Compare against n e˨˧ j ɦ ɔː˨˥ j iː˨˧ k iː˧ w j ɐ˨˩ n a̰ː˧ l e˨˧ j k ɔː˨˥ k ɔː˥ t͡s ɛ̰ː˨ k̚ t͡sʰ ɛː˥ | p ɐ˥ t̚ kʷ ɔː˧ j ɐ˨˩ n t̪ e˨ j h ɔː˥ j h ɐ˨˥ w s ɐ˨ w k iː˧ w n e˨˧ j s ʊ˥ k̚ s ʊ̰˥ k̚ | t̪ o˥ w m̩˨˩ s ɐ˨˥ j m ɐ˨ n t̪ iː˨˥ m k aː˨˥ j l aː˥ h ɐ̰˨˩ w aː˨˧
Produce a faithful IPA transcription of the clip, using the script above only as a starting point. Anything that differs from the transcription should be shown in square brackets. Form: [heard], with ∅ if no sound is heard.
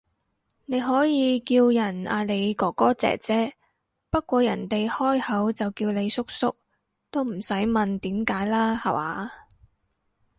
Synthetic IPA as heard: n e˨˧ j ɦ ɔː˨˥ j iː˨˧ k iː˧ w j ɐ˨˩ n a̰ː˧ l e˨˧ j k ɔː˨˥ k ɔː˥ t͡s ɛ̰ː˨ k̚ [t͡s] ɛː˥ | p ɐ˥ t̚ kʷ ɔː˧ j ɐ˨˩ n t̪ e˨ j h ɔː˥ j h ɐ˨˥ w [t͡s] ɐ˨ w k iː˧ w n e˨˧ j s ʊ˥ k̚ s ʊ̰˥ k̚ | t̪ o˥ w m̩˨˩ s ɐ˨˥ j m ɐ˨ n t̪ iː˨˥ m k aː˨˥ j l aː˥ h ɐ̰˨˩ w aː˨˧